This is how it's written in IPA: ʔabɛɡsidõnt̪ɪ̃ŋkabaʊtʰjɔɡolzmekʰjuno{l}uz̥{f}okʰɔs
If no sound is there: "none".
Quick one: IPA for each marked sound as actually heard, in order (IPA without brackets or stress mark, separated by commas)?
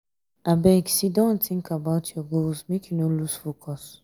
l, f